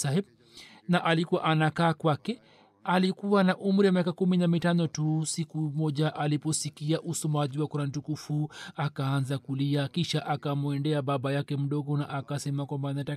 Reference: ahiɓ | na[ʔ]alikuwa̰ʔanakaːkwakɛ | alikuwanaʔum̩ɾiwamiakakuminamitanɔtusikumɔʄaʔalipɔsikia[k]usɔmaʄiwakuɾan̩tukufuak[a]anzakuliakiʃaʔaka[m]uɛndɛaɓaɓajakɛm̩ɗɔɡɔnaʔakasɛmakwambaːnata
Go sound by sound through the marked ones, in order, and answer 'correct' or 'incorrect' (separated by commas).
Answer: correct, incorrect, correct, correct